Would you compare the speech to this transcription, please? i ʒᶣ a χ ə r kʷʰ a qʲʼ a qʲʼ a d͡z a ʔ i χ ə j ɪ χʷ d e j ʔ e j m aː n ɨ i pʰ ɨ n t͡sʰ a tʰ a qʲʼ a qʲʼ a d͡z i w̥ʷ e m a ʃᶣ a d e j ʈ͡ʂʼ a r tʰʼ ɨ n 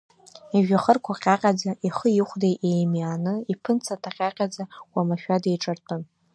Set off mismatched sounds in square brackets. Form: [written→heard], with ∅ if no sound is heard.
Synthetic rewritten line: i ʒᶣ a χ ə r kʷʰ a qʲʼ a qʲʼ a d͡z a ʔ i χ ə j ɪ χʷ d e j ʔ e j m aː n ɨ i pʰ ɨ n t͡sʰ a tʰ a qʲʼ a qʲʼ a d͡z [i→a] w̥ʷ [e→a] m a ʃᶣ a d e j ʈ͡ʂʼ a r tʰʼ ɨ n